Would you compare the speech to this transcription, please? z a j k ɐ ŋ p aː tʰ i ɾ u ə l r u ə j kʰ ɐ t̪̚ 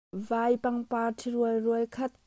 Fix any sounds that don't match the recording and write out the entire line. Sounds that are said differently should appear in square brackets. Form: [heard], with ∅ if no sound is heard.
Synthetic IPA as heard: [v] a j [p] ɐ ŋ p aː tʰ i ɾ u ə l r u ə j kʰ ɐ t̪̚